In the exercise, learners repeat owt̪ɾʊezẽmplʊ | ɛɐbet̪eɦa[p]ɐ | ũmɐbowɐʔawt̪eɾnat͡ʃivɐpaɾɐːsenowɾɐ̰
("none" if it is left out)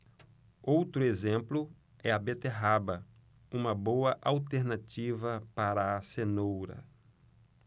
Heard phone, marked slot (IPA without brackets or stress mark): b